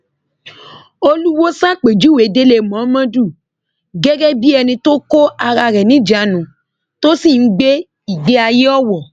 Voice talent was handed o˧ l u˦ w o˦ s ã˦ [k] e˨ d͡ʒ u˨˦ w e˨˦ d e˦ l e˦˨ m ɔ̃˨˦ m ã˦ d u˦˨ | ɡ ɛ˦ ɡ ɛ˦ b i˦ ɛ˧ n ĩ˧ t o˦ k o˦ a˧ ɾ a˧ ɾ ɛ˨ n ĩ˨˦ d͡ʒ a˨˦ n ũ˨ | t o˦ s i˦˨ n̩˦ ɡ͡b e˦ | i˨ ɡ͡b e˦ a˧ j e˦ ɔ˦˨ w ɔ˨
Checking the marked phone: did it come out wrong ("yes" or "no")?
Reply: yes